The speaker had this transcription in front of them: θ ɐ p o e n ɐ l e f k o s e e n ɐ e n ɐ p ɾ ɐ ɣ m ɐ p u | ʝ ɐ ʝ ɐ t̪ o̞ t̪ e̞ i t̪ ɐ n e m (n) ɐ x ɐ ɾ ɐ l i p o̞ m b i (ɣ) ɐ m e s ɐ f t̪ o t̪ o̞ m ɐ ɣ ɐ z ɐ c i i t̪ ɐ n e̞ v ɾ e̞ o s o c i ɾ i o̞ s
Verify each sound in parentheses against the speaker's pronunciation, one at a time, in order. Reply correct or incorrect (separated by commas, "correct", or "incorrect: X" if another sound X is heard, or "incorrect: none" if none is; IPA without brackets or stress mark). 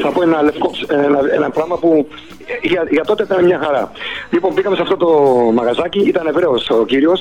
incorrect: ɲ, correct